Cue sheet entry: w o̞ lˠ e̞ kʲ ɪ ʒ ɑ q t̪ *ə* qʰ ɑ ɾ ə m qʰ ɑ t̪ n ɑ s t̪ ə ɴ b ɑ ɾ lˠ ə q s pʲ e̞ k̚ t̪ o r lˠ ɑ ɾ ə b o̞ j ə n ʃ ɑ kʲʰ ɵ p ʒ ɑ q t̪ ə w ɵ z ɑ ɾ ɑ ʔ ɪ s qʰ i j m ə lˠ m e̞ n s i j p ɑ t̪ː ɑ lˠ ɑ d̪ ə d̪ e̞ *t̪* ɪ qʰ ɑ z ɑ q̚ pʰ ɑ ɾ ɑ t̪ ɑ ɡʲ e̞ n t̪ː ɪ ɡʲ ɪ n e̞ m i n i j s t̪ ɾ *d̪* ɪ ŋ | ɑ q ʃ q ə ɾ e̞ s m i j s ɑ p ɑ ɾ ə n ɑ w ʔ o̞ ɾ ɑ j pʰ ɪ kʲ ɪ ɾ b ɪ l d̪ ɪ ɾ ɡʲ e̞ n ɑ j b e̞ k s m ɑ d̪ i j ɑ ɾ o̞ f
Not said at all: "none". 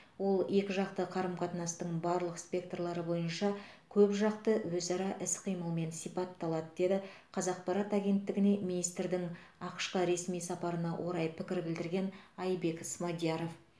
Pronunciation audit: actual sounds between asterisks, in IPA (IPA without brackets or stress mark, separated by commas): ə, d̪, d̪